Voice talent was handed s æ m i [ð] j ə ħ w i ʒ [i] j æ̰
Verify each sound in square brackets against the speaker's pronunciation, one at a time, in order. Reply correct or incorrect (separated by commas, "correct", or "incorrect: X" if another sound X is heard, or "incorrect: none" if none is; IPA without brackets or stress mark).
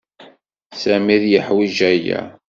correct, incorrect: æ